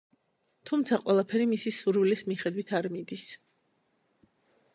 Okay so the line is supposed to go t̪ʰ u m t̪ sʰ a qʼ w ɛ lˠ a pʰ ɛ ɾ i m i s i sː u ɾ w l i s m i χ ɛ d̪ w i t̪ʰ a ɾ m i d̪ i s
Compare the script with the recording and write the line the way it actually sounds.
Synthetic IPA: t̪ʰ u m t̪ sʰ a qʼ w ɛ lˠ a pʰ ɛ ɾ i m i s i s u ɾ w l i s m i χ ɛ d̪ w i t̪ʰ a ɾ m i d̪ i s